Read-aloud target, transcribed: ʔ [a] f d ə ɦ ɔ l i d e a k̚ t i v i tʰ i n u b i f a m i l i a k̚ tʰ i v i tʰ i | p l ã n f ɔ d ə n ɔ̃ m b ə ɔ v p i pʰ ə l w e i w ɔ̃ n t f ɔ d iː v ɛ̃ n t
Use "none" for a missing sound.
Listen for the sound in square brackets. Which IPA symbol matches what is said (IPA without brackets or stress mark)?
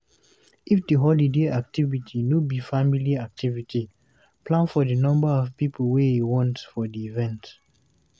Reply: i